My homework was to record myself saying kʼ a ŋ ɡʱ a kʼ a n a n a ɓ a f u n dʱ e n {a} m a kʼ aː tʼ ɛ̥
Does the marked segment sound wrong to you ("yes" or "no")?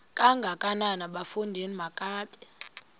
yes